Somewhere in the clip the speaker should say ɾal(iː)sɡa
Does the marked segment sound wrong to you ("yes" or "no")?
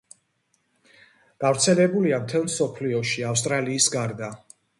no